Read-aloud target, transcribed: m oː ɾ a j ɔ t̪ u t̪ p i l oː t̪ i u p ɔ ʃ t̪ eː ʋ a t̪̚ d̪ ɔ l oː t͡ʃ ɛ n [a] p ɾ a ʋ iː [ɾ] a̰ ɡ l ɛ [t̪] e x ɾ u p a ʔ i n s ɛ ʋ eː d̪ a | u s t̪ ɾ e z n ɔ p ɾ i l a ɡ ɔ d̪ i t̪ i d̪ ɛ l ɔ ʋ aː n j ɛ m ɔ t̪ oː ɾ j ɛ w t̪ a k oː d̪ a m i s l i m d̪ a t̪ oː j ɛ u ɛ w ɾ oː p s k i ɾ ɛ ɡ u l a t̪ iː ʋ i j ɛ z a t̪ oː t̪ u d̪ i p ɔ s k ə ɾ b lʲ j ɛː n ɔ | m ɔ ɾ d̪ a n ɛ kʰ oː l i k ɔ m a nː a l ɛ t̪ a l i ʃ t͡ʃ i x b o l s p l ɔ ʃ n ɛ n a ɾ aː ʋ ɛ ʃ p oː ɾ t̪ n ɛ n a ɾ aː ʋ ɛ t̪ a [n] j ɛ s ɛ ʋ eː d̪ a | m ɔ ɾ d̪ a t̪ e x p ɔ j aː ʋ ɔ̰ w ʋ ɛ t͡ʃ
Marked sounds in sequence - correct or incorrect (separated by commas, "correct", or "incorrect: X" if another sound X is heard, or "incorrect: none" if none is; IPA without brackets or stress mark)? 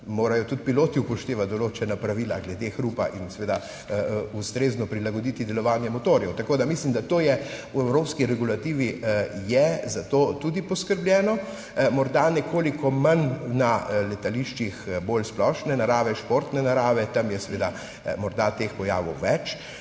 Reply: correct, incorrect: l, incorrect: d̪, incorrect: m